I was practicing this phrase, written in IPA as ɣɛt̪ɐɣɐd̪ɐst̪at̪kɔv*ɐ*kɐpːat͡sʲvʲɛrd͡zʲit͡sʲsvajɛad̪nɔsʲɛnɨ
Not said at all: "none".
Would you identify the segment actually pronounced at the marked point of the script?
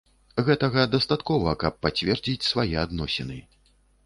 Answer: ɐ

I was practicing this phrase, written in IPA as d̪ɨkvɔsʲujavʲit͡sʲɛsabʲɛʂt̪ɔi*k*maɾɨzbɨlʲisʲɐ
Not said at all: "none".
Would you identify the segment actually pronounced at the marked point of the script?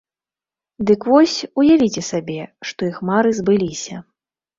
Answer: x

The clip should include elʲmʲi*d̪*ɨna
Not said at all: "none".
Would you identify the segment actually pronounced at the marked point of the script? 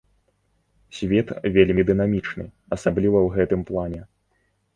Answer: d̪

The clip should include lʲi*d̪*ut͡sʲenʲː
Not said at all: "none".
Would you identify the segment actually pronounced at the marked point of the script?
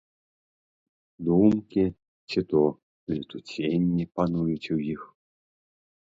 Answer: t̪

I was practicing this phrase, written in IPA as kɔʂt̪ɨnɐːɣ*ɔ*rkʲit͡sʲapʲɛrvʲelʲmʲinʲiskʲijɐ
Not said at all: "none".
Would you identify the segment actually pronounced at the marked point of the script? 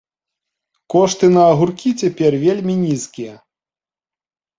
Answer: u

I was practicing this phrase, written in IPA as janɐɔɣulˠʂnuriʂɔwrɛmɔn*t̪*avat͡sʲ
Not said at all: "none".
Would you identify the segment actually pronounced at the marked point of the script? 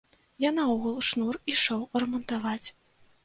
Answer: t̪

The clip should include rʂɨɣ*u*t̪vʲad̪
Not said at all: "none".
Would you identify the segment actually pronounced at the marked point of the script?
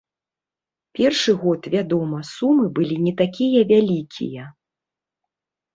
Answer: ɔ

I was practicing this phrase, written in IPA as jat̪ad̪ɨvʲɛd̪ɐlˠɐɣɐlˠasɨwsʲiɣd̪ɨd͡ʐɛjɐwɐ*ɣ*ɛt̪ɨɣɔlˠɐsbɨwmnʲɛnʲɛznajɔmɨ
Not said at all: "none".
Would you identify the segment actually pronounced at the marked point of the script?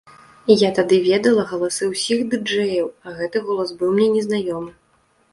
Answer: ɣ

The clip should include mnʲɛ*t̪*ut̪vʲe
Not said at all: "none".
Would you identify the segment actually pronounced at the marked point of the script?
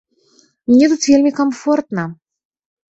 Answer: t̪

